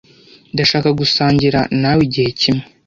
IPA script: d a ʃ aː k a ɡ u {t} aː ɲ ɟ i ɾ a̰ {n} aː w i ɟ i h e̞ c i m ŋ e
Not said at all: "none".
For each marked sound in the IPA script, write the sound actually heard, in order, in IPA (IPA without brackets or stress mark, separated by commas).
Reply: s, n